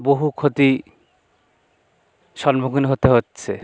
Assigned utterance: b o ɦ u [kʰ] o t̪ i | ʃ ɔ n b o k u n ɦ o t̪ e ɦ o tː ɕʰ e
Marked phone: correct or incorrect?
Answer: correct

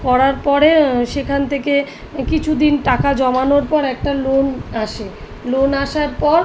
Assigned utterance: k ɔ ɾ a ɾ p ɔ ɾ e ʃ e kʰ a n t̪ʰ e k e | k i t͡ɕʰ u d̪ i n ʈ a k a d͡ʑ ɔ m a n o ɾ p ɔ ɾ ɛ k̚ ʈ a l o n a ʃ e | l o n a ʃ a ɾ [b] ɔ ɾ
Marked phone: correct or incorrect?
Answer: incorrect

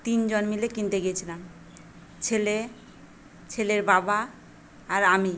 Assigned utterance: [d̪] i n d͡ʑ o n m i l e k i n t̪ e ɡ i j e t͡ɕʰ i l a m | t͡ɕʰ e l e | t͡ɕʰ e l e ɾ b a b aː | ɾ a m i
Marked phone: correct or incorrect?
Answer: incorrect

